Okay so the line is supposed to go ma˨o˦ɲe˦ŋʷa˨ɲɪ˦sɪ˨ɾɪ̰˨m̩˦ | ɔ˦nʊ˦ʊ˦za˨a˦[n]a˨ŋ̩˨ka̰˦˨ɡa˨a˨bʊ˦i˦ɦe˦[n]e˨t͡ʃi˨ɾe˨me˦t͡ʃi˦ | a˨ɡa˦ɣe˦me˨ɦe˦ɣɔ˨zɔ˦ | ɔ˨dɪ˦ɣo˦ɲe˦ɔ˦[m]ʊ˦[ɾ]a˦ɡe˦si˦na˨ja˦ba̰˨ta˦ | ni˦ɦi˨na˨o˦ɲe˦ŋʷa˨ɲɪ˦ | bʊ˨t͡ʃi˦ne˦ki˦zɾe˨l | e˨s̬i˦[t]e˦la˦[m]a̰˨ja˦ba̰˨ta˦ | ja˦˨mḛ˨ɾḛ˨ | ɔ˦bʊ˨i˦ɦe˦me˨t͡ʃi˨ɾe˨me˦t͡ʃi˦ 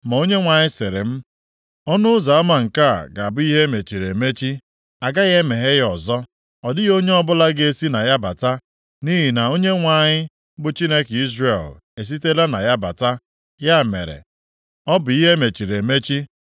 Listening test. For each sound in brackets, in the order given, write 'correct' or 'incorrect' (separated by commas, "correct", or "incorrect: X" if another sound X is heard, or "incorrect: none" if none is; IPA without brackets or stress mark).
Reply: incorrect: m, incorrect: m, incorrect: b, incorrect: l, correct, incorrect: n